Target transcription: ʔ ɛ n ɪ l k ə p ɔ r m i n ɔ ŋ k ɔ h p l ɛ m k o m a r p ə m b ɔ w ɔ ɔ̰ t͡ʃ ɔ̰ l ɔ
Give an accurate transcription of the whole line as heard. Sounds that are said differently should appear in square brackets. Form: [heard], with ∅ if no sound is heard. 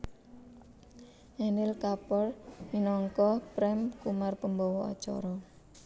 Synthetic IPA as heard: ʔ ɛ n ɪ l k [a] p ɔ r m i n ɔ ŋ k ɔ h p [ɾ] ɛ m k [u] m a r p ə m b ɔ w ɔ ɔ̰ t͡ʃ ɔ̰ [ɾ] ɔ